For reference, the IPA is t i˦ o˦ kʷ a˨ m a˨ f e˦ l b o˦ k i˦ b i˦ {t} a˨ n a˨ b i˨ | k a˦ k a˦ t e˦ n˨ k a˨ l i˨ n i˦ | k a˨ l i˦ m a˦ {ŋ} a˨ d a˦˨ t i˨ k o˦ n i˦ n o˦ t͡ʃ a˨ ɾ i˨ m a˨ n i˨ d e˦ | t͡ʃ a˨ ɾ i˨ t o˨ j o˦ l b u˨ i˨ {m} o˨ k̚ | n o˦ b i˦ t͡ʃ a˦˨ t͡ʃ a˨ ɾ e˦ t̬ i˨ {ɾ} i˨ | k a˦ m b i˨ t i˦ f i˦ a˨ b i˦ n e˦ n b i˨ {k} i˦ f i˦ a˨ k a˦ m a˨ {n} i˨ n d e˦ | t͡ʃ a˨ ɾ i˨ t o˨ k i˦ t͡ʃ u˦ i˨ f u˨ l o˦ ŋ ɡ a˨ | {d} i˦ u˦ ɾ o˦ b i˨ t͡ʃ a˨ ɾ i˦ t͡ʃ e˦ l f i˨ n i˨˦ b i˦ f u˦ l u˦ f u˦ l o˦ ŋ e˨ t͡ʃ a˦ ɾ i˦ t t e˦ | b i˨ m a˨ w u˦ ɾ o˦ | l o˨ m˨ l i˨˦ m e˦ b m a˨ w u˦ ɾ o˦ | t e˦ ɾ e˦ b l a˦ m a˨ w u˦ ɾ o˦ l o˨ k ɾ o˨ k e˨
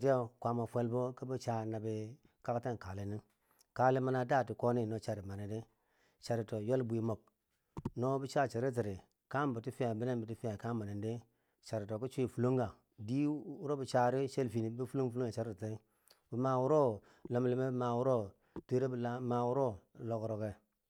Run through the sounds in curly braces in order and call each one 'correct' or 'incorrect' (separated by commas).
incorrect, incorrect, correct, correct, incorrect, correct, correct